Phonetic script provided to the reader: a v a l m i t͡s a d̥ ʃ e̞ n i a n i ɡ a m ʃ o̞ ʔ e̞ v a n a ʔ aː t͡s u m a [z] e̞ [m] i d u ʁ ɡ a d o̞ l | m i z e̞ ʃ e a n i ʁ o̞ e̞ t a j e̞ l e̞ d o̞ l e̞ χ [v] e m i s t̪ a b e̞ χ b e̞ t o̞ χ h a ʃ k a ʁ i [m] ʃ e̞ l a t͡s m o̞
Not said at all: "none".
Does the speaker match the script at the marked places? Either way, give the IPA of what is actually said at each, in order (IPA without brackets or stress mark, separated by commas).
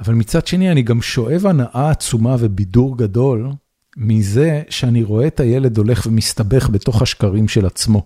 v, b, v, m